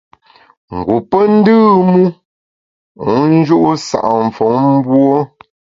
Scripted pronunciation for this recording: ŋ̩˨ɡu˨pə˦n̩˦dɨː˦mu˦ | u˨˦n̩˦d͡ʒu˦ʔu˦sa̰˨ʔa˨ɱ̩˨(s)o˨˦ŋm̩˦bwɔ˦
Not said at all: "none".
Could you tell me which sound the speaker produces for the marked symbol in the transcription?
f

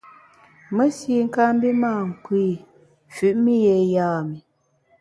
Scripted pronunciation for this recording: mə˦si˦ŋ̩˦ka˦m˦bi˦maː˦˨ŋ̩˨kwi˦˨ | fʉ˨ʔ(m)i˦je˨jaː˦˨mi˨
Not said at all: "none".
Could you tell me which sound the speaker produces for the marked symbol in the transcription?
m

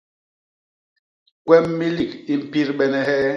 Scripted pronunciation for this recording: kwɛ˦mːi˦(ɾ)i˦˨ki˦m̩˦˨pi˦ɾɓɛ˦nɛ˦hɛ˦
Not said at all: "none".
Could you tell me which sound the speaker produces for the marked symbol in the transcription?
l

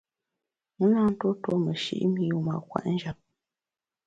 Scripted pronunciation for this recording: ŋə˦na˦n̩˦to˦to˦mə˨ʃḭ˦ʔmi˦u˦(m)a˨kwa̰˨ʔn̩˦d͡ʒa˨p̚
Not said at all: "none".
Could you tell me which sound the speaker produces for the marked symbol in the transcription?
m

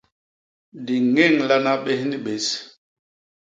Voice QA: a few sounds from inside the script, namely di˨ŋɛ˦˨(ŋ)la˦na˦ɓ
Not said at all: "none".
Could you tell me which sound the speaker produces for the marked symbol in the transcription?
ŋ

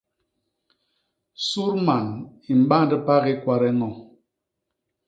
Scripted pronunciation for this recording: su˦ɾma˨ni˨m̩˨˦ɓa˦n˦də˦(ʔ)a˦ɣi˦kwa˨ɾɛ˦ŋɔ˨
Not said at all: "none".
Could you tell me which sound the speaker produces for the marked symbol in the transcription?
p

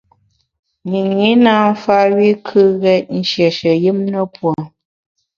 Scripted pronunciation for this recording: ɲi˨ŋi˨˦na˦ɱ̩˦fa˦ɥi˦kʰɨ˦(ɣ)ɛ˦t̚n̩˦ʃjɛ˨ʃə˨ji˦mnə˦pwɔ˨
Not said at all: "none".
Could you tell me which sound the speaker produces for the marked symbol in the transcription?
ɣ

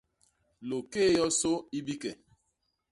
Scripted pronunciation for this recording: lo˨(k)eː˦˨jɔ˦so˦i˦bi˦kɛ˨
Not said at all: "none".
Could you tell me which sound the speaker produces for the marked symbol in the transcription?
k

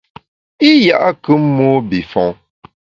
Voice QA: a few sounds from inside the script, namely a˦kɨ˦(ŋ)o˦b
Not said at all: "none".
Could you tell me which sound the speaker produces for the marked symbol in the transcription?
m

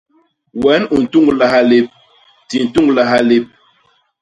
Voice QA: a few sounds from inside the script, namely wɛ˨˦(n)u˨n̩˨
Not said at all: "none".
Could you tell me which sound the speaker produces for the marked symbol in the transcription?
n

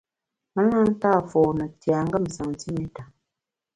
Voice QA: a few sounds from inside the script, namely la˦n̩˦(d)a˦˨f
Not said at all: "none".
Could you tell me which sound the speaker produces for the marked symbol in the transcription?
t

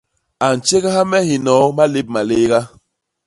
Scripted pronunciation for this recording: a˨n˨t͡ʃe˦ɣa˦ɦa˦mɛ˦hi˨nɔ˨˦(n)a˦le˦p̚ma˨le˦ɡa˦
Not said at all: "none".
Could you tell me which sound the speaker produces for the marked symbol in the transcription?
m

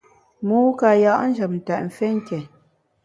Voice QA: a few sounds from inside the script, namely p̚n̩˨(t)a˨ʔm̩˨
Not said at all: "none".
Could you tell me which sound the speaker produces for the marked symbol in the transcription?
t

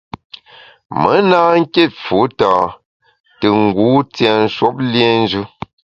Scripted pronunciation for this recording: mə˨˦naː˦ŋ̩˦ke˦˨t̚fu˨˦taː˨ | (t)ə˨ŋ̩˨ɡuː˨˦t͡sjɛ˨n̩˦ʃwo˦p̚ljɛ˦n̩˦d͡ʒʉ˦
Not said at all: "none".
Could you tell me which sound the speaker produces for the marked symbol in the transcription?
t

